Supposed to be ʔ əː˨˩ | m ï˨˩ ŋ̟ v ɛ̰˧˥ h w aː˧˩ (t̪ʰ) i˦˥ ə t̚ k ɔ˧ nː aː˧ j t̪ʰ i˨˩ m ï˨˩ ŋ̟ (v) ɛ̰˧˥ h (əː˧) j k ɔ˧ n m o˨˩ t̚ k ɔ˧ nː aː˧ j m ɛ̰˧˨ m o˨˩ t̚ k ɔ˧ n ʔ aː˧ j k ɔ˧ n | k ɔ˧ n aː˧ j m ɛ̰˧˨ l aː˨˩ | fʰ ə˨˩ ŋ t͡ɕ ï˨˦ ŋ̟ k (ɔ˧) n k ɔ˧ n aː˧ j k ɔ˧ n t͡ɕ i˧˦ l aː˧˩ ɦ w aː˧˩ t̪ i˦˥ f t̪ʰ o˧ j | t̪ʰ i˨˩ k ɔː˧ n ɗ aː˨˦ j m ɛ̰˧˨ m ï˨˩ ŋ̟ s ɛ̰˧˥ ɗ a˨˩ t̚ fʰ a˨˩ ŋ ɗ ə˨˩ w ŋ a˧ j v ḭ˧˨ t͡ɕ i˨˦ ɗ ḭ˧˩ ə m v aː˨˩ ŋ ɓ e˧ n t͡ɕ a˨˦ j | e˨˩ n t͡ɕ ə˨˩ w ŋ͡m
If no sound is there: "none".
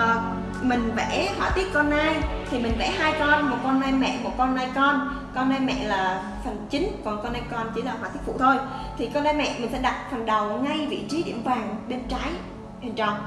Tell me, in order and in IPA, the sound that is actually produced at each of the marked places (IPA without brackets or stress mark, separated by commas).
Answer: t̪, v, aː˧, ɔ˨˩